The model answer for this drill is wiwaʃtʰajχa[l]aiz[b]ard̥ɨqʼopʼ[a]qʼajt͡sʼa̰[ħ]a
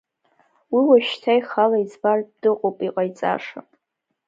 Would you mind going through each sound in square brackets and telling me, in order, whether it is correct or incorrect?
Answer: correct, correct, incorrect: i, incorrect: ʂ

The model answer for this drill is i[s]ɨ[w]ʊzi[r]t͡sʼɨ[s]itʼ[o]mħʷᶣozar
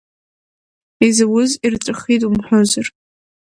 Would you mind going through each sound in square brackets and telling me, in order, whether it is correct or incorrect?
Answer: incorrect: z, correct, correct, incorrect: χ, incorrect: u

